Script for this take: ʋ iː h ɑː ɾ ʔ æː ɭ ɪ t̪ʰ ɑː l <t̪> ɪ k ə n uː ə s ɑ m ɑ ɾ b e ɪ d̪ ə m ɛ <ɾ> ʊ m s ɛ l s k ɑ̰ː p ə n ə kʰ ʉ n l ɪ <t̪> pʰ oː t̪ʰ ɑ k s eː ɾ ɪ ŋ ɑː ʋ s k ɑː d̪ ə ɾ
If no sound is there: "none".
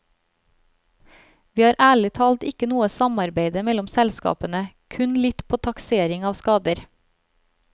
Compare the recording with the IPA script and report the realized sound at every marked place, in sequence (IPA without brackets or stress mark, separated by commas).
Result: t̪, l, t̪